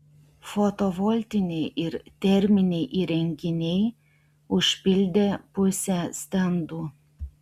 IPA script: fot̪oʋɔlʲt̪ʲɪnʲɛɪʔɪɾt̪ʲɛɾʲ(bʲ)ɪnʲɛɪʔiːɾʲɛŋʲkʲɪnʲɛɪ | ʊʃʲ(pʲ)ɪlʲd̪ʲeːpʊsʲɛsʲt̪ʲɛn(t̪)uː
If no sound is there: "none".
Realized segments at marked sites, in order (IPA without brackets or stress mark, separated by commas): mʲ, pʲ, d̪